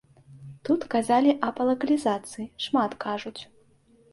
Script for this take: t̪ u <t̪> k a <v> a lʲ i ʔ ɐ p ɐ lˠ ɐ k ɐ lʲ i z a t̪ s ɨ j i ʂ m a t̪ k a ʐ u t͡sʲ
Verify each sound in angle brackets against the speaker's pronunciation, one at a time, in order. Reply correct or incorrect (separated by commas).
correct, incorrect